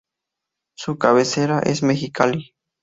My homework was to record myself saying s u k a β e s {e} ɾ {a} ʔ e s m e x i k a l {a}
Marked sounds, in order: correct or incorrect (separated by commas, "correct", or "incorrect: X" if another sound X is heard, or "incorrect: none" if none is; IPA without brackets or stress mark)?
correct, correct, incorrect: i